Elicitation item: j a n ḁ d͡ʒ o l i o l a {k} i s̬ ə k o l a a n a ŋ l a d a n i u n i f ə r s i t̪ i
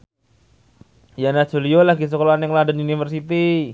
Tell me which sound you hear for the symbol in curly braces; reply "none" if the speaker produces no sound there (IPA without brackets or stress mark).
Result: ɡ